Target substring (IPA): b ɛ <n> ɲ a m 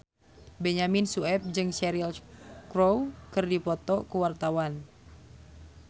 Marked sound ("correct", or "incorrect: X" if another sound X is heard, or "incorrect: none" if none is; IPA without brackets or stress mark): incorrect: none